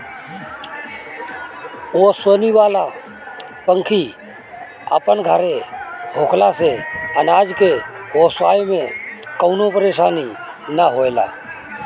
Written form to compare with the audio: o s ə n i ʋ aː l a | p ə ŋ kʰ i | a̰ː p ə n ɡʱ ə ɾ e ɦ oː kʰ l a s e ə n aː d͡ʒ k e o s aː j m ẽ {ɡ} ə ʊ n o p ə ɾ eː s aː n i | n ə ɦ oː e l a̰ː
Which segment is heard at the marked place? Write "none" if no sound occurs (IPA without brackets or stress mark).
k